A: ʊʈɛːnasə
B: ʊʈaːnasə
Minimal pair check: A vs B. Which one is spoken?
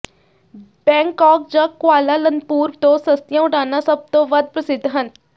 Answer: B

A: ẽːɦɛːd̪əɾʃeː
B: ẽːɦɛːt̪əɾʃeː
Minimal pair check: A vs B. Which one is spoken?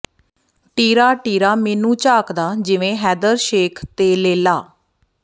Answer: A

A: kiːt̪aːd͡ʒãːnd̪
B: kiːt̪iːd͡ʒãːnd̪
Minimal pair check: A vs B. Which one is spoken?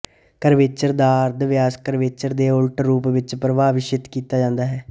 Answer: A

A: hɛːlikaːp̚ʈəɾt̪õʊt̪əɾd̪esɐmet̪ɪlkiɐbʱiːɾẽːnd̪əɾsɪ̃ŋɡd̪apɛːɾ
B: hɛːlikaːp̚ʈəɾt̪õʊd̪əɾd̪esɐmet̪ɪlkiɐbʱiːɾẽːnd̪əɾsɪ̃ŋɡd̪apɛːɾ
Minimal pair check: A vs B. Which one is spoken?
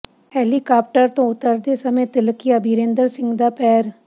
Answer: A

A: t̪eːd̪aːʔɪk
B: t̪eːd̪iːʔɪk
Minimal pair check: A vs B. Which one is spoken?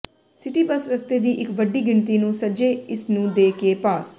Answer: B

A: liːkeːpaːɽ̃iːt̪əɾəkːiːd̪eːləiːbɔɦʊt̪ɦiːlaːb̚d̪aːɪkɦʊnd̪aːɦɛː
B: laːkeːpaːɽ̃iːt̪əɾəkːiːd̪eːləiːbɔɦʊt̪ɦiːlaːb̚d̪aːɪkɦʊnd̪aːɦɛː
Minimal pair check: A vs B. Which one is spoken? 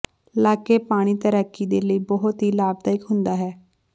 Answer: B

